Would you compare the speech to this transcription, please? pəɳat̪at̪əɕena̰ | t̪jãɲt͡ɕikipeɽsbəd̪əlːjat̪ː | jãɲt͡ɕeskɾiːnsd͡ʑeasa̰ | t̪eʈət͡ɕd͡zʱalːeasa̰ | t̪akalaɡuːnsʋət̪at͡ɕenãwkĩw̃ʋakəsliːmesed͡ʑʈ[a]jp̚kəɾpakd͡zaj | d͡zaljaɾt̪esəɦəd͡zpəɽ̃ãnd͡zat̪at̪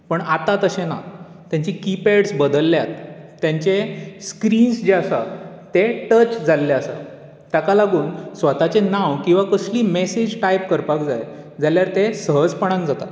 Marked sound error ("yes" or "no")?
no